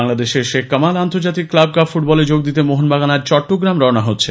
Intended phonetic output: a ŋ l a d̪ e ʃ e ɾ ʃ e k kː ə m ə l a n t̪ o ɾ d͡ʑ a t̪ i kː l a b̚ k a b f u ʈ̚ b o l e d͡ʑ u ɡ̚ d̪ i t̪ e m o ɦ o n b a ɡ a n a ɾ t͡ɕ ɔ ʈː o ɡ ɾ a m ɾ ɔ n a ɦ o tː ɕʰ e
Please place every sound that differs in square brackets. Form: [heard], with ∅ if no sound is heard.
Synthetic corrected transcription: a ŋ l a d̪ e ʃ e ɾ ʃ e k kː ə m [a] l a n t̪ o ɾ d͡ʑ a t̪ i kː l a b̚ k a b f u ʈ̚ b [ɔ] l e d͡ʑ [o] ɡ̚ d̪ i t̪ e m o ɦ o n b a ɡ a n a ɾ t͡ɕ ɔ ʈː o ɡ ɾ a m ɾ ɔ n a ɦ o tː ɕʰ e